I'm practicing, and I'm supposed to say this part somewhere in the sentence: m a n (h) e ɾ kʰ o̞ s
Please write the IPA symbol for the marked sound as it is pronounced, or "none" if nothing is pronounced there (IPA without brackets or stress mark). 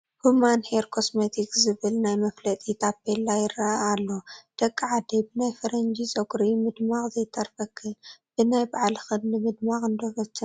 h